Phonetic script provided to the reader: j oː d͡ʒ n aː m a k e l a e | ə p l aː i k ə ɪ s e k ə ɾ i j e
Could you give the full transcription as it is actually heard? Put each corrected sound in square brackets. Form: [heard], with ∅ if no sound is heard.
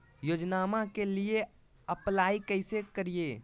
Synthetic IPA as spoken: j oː d͡ʒ n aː m a k e l [i] e | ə p l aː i k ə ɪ s e k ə ɾ i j e